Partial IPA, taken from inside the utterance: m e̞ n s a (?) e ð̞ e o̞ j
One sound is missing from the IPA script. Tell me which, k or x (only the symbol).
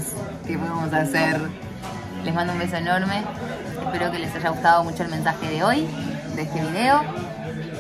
x